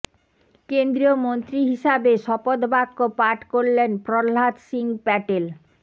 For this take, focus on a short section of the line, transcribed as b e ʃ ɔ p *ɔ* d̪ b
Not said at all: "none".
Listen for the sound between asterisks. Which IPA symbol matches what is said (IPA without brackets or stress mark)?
o